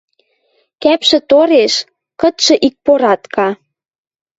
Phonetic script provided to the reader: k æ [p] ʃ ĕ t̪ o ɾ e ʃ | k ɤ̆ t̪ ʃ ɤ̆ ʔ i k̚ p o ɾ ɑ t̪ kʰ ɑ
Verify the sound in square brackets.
correct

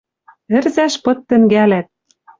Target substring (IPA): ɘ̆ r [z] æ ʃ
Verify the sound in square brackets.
correct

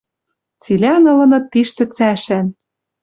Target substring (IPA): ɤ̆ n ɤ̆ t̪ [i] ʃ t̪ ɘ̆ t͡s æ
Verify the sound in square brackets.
correct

